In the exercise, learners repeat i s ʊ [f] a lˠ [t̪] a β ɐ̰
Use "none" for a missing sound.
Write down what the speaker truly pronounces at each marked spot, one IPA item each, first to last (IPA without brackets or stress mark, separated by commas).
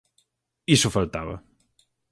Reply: f, t̪